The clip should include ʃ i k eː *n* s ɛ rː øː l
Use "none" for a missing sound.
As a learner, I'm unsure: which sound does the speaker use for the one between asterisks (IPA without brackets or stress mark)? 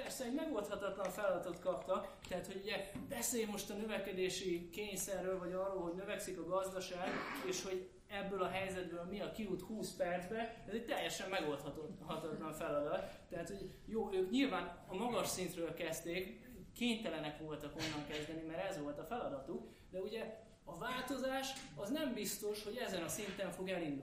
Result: ɲ